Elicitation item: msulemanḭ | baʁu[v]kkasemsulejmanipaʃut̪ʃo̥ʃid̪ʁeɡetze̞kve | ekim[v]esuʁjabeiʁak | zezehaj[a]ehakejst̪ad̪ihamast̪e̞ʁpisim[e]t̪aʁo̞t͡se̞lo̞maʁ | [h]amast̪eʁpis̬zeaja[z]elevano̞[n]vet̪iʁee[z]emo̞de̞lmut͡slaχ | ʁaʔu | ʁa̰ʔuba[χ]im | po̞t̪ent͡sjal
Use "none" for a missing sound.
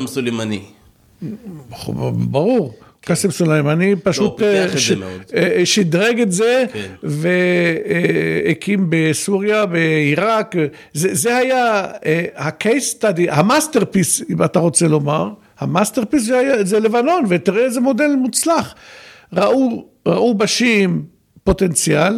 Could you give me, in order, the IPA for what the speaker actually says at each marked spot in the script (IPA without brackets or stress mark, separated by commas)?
ʁ, b, a, a, h, z, n, z, ʃ